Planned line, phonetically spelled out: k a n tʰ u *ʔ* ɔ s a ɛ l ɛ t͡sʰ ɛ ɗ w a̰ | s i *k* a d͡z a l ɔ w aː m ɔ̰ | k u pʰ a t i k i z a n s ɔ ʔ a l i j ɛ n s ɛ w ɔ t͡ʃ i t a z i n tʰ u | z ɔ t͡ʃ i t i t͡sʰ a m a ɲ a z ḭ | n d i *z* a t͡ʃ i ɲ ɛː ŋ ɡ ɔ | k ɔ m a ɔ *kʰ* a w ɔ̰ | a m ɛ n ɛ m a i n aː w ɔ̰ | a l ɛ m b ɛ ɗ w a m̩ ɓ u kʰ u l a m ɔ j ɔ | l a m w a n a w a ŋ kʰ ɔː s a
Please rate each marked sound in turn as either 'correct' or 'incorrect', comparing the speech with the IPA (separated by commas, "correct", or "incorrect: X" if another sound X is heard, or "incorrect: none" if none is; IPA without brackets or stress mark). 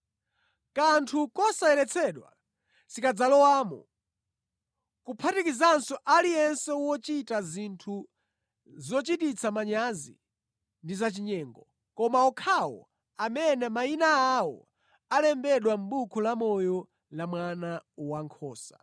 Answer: incorrect: k, correct, correct, correct